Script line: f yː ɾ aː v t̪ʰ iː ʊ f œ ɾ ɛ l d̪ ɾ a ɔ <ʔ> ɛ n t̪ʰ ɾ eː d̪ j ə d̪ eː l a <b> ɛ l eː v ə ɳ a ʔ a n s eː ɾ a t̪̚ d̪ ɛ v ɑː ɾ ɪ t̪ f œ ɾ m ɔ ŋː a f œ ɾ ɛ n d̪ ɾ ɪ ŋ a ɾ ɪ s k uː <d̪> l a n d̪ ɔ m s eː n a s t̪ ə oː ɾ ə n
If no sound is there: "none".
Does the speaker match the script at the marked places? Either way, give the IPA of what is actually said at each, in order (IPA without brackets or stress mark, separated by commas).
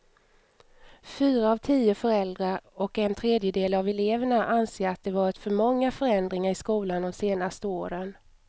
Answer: k, v, none